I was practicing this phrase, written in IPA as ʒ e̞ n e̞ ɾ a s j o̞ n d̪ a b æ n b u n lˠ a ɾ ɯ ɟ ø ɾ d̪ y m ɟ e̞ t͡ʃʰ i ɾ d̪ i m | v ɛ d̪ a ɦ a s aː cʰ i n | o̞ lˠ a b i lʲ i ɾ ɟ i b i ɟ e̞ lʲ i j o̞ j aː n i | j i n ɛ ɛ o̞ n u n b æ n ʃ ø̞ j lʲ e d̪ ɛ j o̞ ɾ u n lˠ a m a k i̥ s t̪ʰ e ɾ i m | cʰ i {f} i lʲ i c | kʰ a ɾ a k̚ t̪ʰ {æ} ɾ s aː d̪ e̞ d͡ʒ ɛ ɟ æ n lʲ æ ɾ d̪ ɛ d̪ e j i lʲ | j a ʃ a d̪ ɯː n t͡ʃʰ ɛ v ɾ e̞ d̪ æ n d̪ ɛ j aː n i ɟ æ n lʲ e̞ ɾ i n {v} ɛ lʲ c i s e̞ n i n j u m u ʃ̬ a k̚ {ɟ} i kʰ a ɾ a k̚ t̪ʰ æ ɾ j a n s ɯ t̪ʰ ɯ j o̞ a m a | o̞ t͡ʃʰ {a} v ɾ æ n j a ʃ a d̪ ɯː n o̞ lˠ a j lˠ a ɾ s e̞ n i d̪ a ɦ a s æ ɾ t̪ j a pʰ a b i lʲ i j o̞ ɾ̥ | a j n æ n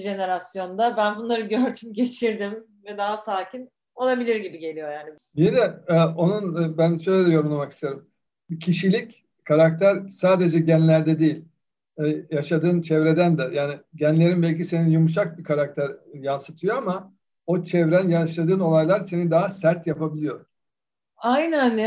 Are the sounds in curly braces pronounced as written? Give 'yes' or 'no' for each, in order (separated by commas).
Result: no, yes, no, no, no